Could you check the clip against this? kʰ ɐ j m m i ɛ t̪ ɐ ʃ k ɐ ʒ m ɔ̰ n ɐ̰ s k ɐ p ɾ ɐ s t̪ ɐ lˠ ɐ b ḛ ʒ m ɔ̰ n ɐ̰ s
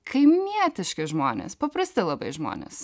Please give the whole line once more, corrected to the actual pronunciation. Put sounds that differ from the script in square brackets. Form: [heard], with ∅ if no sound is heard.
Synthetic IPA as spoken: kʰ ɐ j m m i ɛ t̪ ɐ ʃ k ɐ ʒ m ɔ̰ n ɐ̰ s [p] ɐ p ɾ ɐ s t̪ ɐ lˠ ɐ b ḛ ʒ m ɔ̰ n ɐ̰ s